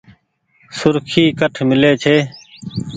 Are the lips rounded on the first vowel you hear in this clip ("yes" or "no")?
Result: yes